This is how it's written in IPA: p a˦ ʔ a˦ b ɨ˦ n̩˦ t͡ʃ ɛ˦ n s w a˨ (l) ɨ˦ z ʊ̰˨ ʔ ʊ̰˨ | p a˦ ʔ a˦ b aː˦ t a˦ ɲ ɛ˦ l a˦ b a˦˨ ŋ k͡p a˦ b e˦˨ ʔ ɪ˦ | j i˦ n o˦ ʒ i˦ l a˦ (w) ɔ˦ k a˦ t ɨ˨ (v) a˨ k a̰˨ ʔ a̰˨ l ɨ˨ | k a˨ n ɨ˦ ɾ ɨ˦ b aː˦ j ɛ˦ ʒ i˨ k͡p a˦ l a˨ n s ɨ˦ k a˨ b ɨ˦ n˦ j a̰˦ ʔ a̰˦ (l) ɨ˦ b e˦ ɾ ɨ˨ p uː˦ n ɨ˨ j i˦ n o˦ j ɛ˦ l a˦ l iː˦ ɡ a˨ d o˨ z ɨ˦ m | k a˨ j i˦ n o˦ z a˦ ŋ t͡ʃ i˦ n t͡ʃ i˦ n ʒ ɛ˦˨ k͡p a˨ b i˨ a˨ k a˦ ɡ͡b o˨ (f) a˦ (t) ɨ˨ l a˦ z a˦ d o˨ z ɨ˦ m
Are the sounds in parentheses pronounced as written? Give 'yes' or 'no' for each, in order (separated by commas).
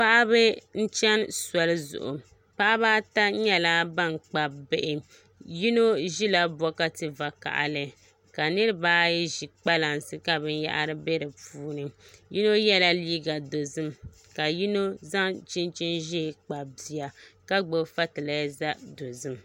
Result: yes, no, yes, no, yes, yes